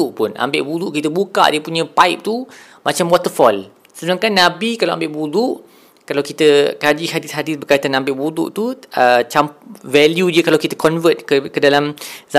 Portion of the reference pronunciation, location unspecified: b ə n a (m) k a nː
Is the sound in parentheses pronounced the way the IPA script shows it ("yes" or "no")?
no